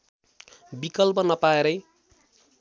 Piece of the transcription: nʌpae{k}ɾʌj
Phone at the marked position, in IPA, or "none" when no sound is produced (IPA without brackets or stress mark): none